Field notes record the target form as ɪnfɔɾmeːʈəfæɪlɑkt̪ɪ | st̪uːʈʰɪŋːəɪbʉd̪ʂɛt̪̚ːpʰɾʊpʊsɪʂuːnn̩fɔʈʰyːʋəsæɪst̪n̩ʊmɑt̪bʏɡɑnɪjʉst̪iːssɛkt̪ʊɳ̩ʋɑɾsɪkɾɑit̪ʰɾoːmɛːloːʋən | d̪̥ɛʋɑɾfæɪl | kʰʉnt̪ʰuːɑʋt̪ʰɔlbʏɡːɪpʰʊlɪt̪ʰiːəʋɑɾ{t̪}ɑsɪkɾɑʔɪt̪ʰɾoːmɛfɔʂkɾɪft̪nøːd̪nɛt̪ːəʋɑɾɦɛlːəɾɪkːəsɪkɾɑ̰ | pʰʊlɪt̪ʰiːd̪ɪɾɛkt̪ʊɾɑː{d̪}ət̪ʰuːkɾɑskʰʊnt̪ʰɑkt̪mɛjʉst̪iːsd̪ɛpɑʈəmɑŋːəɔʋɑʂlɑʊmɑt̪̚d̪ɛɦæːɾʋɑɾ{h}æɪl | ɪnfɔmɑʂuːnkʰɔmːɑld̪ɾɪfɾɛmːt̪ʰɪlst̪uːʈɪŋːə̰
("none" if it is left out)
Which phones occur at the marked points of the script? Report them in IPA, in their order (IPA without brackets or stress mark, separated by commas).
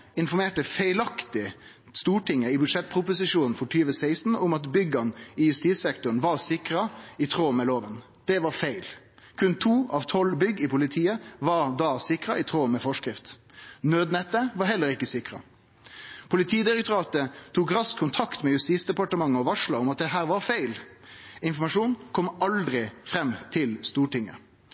d̪, t̪, f